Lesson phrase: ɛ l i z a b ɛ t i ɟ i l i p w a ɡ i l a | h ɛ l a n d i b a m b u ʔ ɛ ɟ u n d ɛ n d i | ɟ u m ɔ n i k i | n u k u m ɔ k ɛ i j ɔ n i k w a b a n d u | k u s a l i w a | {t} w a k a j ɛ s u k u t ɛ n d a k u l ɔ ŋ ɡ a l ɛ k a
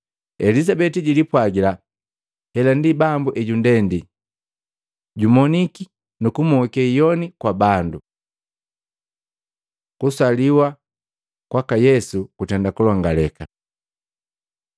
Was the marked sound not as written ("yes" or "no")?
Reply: yes